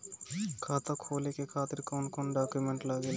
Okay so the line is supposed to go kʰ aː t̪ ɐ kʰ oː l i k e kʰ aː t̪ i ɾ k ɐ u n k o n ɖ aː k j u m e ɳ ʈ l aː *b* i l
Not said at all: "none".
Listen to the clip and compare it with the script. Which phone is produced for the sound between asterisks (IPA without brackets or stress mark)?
ɡ